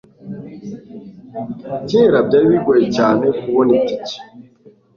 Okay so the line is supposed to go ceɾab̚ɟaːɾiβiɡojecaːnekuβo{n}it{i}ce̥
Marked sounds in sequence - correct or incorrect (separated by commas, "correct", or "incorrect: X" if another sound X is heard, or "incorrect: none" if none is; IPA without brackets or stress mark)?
correct, correct